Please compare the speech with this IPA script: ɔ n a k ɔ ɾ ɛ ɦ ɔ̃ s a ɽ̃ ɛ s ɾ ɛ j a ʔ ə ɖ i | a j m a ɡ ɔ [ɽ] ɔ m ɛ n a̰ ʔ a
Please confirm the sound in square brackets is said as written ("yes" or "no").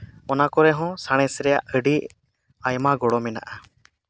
yes